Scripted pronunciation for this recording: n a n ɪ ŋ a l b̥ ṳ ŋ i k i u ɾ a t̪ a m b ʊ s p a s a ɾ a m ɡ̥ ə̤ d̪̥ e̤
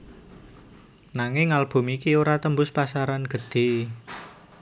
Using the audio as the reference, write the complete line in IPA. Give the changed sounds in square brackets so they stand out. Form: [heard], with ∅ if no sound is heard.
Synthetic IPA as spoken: n a [ŋ] ɪ ŋ a l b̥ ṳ [m] i k i [o] ɾ a t̪ [ə] m b ʊ s p a s a ɾ a [n] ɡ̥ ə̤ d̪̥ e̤